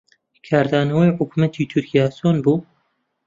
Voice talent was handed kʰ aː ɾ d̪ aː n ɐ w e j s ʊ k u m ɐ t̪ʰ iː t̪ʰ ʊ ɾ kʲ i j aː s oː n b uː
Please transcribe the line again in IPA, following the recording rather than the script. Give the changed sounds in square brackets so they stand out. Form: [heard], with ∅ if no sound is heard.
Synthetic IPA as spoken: kʰ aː ɾ d̪ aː n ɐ w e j [ħ] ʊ k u m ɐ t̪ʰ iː t̪ʰ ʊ ɾ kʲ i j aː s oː n b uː